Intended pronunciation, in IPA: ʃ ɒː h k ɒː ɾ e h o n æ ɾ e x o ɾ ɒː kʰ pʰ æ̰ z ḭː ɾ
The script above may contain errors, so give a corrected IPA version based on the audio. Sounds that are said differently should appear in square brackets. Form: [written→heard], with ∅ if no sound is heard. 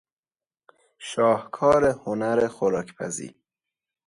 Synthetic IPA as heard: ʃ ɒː h [k→kʰ] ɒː ɾ e h o n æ ɾ e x o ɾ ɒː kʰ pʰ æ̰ z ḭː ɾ